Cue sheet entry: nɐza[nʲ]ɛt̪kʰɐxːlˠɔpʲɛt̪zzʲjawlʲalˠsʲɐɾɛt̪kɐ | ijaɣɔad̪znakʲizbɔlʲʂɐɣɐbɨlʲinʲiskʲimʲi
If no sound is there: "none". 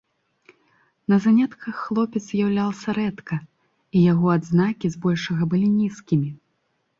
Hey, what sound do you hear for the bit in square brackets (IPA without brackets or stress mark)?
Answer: nʲ